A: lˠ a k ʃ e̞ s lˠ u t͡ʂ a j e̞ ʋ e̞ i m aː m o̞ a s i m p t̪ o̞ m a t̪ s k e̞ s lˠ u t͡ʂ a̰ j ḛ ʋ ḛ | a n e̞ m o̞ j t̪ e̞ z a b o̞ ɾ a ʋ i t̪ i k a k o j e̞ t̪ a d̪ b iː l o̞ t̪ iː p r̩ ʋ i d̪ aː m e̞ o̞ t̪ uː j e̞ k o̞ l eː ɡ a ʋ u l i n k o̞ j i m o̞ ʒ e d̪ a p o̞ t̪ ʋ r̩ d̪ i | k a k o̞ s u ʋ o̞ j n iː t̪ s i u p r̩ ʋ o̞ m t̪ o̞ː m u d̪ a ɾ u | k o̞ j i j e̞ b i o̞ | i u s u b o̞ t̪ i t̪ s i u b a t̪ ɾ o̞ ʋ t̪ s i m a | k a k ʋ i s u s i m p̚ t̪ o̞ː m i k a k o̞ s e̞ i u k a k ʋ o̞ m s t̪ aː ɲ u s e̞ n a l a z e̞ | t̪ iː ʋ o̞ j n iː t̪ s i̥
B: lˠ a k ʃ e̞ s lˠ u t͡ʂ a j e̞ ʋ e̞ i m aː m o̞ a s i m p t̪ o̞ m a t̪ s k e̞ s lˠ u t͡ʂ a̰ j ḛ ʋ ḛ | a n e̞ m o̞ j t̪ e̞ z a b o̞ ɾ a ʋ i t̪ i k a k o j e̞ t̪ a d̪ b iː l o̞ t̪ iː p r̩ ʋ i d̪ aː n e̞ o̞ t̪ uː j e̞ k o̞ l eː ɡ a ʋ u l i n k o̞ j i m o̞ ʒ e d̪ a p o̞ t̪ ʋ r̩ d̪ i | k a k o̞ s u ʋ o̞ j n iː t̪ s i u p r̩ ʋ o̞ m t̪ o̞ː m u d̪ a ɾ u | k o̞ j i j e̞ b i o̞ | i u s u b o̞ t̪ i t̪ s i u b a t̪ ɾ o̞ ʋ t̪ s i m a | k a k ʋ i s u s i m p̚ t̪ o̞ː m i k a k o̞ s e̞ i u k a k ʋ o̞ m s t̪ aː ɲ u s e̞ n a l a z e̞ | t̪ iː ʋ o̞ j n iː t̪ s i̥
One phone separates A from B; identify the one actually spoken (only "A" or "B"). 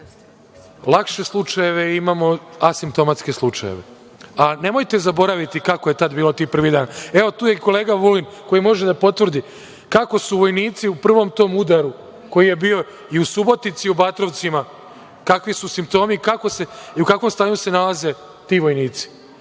B